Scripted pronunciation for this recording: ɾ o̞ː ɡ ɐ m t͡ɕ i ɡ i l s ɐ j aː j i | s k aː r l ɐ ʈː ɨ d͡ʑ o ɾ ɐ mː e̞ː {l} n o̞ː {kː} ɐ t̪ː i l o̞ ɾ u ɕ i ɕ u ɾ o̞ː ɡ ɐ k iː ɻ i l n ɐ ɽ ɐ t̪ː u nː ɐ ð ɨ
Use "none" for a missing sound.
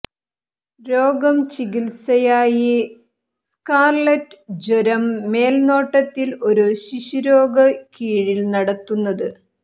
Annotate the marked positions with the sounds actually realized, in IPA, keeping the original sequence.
l, ʈː

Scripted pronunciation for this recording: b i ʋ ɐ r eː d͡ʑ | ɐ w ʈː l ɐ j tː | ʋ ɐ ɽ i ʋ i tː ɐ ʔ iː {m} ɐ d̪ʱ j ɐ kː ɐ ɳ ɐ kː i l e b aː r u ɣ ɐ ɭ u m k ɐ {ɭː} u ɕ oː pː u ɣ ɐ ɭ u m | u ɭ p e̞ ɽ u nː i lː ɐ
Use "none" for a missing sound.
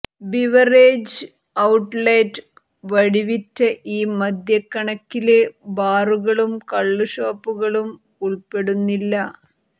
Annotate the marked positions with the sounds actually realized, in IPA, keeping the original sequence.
m, ɭː

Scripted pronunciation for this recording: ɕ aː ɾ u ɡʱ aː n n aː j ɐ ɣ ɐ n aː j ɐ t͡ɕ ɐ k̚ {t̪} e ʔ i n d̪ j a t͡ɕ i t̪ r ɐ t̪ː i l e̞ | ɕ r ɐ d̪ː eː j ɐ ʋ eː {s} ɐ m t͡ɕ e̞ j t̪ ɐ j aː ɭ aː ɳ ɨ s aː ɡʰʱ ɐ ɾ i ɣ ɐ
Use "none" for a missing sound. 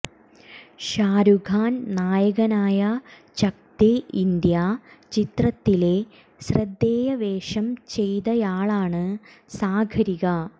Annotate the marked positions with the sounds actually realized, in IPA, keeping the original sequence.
t̪, ʂ

